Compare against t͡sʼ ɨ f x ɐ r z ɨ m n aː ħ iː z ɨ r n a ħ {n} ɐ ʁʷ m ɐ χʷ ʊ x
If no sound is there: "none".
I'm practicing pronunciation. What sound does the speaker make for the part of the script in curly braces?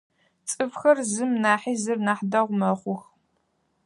d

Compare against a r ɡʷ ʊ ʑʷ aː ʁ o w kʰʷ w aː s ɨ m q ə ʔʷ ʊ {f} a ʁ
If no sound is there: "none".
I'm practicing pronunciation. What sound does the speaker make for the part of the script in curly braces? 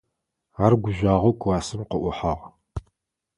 ħ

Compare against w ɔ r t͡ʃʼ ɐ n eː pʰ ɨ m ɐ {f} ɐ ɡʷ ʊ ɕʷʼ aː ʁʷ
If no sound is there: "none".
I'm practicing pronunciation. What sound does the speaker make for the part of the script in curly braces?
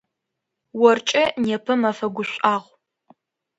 f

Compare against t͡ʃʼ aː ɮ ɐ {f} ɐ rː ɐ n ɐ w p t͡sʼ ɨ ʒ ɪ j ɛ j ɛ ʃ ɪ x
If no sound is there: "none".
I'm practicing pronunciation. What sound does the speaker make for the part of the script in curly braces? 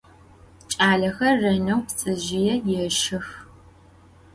x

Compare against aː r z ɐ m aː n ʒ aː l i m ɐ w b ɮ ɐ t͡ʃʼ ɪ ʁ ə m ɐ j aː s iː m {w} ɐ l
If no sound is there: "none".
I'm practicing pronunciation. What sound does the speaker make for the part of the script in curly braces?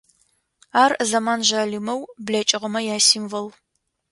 v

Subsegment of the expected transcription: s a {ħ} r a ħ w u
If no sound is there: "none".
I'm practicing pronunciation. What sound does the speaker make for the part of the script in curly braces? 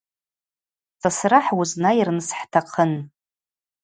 s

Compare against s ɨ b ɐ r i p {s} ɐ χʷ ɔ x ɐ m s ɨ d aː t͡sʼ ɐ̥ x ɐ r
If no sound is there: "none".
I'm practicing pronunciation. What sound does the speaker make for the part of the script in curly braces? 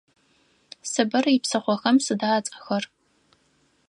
s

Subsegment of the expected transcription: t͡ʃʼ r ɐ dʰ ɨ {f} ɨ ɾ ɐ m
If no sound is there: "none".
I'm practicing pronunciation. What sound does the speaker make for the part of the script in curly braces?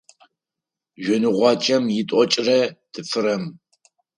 f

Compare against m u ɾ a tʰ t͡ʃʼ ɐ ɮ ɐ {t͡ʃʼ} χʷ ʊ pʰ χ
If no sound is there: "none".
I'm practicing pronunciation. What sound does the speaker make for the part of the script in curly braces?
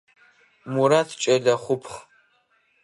none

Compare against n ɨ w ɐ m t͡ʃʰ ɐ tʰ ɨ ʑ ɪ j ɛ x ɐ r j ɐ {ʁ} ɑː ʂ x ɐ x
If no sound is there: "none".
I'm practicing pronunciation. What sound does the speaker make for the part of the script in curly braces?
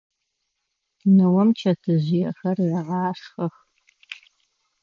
ʁ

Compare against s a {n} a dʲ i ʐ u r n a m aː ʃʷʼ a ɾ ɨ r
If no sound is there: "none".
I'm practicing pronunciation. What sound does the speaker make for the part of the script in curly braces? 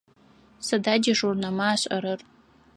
d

